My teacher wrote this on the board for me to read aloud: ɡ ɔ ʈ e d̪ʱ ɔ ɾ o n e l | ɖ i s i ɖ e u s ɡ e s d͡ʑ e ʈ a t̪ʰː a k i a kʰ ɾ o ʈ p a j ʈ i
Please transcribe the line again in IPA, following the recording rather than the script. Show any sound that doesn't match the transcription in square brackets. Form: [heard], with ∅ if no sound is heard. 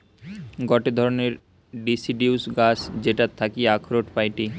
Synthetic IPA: ɡ ɔ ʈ e d̪ʱ ɔ ɾ o n e [ɾ] | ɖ i s i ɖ [i] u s ɡ [a] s d͡ʑ e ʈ a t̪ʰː a k i a kʰ ɾ o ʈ p a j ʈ i